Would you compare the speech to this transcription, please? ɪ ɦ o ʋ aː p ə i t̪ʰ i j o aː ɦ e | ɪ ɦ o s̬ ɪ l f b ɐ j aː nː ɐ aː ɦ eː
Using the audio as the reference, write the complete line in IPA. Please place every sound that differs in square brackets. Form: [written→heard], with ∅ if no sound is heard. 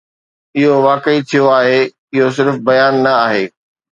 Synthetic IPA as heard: ɪ ɦ o ʋ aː [p→k] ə i t̪ʰ i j o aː ɦ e | ɪ ɦ o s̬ ɪ [l→ɾ] f b ɐ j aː nː ɐ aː ɦ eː